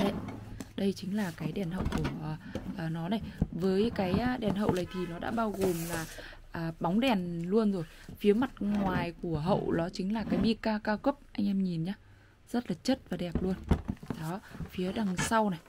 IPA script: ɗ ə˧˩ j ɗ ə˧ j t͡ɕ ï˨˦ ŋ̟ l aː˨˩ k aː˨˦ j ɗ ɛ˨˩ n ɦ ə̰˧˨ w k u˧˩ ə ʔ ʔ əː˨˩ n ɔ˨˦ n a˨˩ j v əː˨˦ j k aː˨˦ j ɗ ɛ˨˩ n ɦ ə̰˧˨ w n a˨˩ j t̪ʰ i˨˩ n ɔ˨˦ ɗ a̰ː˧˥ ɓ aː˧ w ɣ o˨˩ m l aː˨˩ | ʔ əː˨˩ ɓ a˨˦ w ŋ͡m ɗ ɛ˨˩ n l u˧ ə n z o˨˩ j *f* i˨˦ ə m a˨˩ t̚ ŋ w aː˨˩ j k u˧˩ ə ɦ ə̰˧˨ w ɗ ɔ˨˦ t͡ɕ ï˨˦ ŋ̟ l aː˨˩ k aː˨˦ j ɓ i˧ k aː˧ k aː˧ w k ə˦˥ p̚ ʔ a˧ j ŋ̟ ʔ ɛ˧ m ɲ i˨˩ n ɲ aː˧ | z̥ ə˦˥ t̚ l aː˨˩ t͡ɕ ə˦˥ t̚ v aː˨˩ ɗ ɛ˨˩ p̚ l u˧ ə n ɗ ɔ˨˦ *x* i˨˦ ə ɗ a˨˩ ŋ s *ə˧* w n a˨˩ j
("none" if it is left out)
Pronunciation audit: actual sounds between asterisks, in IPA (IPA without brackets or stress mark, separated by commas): f, f, a˧